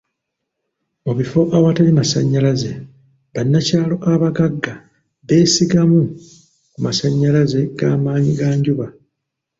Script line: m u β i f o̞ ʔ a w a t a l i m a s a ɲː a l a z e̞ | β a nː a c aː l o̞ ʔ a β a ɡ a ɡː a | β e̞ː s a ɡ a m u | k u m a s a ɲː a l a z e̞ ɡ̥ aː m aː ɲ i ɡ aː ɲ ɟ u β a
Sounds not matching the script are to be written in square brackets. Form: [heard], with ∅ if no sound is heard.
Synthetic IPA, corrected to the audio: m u β i f o̞ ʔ a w a t a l i m a s a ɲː a l a z e̞ | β a nː a c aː l o̞ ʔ a β a ɡ a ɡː a | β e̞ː s [i] ɡ a m u | k u m a s a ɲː a l a z e̞ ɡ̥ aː m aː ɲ i ɡ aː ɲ ɟ u β a